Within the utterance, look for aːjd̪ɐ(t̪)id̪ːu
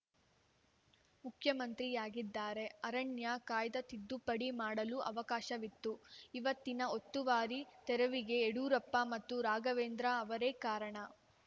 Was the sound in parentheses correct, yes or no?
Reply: yes